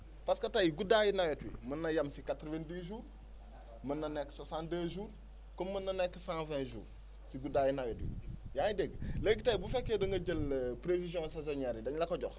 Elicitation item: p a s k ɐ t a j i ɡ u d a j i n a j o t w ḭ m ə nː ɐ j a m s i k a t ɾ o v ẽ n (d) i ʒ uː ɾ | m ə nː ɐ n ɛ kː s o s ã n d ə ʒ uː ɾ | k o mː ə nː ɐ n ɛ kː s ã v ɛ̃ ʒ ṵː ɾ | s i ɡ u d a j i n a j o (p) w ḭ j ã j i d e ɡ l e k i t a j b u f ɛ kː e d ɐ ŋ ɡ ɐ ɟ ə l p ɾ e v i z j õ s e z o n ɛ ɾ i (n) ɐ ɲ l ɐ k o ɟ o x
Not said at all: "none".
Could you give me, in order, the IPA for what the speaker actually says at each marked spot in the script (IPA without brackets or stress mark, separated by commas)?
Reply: d, t, d